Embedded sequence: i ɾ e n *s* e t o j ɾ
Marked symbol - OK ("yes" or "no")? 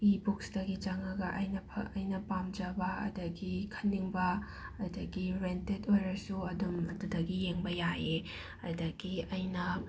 no